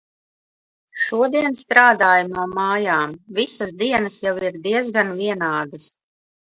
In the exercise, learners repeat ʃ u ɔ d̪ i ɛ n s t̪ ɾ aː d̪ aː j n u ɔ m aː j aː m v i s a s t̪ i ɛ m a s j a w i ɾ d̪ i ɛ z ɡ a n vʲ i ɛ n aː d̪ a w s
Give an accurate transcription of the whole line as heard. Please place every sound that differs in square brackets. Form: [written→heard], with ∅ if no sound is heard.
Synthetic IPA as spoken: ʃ u ɔ d̪ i ɛ n s t̪ ɾ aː d̪ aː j n u ɔ m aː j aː m v i s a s [t̪→d̪] i ɛ [m→n] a s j a w i ɾ d̪ i ɛ z ɡ a n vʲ i ɛ n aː d̪ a [w→∅] s